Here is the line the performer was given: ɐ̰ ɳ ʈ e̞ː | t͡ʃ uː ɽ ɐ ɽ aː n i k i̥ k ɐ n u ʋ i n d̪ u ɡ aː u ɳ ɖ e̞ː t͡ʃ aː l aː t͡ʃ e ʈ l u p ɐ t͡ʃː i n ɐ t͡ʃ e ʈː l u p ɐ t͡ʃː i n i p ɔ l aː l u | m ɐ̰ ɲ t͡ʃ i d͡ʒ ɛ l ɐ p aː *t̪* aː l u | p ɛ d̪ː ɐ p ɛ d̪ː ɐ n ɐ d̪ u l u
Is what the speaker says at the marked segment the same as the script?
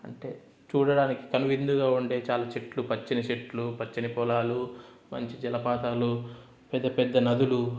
yes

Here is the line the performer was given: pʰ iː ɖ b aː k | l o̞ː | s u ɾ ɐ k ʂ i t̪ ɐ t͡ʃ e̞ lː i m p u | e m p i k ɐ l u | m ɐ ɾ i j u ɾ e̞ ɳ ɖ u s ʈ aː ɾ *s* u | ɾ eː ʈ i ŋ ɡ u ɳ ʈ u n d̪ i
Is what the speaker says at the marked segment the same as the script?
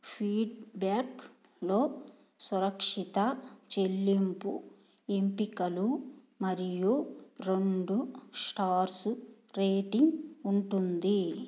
yes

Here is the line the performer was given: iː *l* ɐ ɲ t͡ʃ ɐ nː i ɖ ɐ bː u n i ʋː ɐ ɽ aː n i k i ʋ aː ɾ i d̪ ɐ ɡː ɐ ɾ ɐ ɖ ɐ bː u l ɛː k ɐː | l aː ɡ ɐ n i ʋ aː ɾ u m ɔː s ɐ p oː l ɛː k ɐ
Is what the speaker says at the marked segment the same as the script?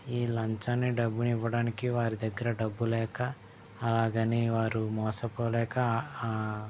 yes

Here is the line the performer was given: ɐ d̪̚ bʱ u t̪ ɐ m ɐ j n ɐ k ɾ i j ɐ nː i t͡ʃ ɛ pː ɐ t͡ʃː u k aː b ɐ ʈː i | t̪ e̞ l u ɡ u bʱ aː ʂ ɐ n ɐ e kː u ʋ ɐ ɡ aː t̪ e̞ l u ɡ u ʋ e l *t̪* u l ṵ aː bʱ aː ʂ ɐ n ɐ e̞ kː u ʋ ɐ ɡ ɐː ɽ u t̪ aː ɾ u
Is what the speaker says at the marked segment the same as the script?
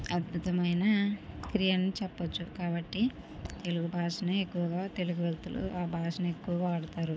yes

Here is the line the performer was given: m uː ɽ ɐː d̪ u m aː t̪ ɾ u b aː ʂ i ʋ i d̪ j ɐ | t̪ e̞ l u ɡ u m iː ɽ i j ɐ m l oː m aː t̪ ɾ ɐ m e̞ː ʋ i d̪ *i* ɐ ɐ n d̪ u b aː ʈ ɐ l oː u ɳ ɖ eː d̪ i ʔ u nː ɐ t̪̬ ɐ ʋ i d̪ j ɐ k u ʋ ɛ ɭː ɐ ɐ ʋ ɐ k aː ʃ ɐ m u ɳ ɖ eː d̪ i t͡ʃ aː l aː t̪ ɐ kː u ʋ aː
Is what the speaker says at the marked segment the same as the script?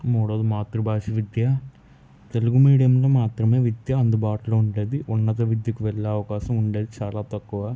no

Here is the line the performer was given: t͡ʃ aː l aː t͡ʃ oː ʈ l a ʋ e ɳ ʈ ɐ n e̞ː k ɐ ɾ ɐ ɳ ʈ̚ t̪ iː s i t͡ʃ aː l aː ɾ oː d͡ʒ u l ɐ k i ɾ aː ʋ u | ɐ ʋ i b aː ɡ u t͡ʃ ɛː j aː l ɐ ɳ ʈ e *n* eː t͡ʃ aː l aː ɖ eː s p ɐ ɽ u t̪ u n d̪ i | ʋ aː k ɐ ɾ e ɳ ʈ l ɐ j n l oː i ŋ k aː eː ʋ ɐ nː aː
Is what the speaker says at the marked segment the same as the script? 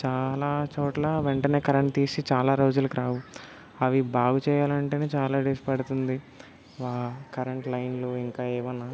yes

